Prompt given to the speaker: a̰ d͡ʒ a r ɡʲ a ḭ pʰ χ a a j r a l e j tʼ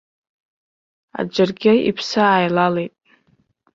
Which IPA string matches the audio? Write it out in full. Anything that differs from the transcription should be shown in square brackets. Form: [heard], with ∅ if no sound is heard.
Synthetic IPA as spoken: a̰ d͡ʒ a r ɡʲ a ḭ pʰ [s] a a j [l] a l e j tʼ